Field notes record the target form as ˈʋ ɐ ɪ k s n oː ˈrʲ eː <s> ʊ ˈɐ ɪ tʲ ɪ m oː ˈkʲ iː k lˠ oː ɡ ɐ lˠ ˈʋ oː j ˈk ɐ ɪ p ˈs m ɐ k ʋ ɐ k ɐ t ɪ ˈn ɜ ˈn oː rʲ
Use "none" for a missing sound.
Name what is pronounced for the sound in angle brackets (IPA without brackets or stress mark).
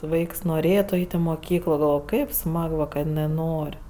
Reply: t